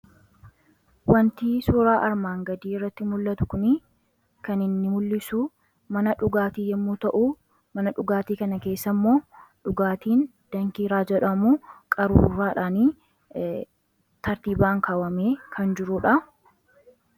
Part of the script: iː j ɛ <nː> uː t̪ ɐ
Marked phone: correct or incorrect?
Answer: incorrect